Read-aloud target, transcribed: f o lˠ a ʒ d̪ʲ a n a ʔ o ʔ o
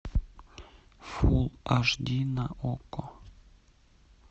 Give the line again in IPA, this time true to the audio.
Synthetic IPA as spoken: f u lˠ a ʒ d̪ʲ i n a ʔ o k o